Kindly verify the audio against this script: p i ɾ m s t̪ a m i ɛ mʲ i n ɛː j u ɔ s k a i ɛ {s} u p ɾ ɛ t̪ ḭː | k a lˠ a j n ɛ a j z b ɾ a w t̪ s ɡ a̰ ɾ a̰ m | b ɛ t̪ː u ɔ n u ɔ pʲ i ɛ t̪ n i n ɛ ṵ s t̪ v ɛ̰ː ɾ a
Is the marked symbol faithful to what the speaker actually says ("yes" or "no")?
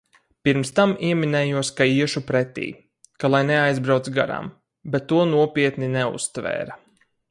no